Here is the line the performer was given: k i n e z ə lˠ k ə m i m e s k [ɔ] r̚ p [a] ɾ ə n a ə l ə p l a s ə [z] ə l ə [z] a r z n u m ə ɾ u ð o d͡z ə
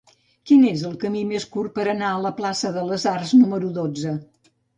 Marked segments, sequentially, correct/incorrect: incorrect: u, incorrect: ə, incorrect: ð, correct

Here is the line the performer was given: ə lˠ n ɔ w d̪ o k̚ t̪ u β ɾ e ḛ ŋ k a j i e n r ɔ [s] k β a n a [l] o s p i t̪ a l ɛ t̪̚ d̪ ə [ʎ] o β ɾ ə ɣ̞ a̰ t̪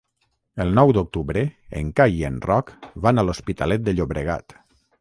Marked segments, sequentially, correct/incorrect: incorrect: none, correct, correct

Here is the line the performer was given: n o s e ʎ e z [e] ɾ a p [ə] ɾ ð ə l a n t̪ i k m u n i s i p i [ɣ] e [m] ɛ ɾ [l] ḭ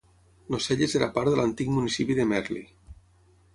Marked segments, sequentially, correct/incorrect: correct, incorrect: a, incorrect: ð, correct, correct

